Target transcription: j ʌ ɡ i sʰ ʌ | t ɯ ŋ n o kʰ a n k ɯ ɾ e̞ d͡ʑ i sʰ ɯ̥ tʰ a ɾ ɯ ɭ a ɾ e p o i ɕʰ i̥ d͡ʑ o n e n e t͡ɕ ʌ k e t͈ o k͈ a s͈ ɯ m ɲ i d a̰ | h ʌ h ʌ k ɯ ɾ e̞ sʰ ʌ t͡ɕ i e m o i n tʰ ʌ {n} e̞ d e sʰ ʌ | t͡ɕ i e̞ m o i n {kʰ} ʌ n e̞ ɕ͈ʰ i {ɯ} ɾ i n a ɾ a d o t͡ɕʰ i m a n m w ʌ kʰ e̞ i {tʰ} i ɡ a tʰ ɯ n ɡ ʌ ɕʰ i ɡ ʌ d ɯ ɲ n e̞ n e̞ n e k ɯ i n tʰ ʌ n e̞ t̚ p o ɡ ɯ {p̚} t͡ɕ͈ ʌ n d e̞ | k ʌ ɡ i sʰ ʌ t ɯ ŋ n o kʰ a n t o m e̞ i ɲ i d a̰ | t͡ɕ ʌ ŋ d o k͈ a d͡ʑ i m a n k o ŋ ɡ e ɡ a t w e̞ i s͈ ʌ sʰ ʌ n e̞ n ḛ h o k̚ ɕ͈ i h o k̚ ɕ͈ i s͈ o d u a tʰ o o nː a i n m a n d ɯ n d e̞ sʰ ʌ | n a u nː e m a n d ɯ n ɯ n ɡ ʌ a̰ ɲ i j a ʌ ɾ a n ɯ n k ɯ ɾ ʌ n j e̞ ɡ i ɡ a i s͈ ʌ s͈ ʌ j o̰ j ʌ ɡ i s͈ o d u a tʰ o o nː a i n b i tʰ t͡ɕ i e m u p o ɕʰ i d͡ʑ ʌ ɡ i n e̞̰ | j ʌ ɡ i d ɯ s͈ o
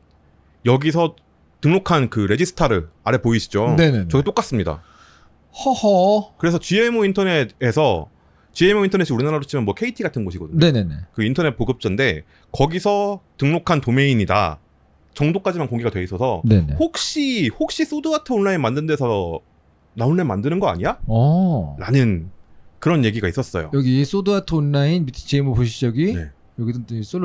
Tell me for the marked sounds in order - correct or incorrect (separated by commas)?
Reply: correct, incorrect, incorrect, correct, correct